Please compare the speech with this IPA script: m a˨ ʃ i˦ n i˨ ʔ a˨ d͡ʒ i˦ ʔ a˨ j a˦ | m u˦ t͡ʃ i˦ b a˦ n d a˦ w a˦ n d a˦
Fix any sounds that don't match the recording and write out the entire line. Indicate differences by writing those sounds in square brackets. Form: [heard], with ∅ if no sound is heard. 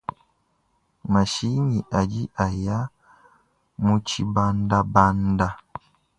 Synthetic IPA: m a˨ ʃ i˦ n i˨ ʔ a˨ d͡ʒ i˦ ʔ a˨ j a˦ | m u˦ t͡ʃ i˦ b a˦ n d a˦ [b] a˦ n d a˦

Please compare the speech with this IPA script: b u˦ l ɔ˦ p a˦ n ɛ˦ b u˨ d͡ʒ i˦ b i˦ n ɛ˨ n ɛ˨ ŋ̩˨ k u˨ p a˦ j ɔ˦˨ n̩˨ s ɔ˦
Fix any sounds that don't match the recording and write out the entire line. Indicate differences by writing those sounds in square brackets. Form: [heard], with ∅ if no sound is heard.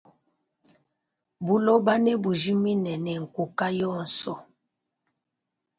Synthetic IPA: b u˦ l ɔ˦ [b] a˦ n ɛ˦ b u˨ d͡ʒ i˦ [m] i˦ n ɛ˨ n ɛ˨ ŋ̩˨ k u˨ [k] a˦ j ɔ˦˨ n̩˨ s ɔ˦

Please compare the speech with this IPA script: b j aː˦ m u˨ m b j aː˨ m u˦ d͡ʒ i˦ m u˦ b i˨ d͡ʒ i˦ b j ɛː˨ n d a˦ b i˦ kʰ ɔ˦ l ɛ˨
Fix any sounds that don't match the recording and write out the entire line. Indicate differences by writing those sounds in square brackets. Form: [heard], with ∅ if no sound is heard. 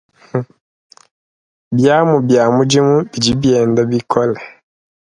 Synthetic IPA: b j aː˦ m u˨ [∅] b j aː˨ m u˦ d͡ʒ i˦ m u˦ b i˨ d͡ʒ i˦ b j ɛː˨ n d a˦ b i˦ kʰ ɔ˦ l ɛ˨

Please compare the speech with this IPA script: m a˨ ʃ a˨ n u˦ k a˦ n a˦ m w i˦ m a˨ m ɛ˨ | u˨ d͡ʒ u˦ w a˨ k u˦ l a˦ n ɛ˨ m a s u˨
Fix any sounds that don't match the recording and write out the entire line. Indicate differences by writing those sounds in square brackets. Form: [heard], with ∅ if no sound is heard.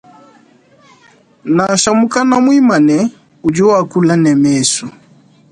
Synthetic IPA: [n] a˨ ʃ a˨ [m] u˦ k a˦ n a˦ m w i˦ m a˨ [n] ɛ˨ | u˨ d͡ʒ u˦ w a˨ k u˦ l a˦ n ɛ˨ m [ɛ] s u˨

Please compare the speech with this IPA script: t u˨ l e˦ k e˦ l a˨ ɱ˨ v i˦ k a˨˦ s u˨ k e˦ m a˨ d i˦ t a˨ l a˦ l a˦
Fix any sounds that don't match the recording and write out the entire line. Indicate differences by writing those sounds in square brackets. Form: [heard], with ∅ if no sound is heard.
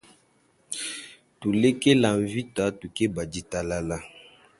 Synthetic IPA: t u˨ l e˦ k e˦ l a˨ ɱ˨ v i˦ [t] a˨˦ [t] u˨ k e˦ [b] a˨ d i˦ t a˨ l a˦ l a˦

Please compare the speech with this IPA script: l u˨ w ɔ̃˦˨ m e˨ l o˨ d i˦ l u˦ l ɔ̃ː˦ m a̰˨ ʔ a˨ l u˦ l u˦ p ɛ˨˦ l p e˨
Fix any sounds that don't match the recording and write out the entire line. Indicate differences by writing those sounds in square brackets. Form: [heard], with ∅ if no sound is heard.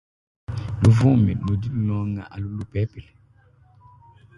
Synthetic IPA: l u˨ [v] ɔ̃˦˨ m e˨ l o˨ d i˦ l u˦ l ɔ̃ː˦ [ŋ] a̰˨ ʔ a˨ l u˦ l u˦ p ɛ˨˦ [∅] p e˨

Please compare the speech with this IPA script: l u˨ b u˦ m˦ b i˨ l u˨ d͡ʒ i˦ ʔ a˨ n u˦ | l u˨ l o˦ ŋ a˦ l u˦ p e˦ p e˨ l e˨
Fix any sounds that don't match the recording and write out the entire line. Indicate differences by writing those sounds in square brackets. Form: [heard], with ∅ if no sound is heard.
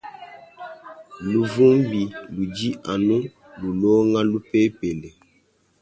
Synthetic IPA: l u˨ [v] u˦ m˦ b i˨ l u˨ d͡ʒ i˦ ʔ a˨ n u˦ | l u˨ l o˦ ŋ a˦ l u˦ p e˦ p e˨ l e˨

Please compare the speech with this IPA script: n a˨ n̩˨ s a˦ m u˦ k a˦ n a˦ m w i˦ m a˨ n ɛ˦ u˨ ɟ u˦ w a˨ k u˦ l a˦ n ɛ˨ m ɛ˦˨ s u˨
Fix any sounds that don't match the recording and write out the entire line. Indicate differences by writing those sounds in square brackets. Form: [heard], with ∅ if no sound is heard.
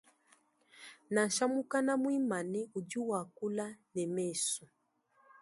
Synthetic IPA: n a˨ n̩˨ [ʃ] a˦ m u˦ k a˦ n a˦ m w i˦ m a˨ n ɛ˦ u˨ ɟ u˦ w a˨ k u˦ l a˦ n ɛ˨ m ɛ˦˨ s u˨

